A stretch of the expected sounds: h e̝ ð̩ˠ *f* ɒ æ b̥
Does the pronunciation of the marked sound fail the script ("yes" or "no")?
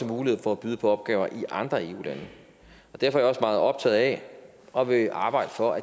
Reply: no